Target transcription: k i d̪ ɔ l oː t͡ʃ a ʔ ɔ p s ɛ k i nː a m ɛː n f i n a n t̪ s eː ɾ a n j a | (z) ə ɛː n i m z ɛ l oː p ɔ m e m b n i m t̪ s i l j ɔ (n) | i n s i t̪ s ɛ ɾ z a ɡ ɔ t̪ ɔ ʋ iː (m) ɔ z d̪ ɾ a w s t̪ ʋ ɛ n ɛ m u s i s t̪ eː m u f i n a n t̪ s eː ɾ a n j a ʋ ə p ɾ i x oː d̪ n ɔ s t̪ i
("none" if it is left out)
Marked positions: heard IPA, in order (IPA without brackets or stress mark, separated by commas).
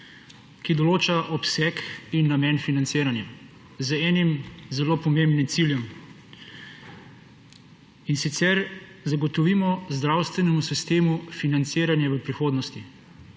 z, m, m